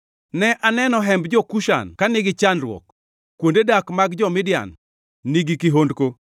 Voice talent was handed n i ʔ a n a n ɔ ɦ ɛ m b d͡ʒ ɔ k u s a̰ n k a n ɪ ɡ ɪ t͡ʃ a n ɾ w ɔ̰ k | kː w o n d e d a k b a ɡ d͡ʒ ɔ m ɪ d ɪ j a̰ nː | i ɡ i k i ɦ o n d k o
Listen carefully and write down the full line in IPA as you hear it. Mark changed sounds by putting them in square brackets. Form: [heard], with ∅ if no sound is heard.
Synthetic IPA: n [ɛ] ʔ a n [ɛ] n ɔ ɦ ɛ m b d͡ʒ ɔ k u [ʃ] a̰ n k a n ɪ ɡ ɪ t͡ʃ a n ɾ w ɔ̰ k | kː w o n d e d a k [m] a ɡ d͡ʒ ɔ m ɪ d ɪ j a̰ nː | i ɡ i k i ɦ o n d k o